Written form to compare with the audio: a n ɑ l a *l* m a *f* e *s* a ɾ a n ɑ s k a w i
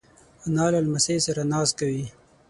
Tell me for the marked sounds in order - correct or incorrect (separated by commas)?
correct, incorrect, correct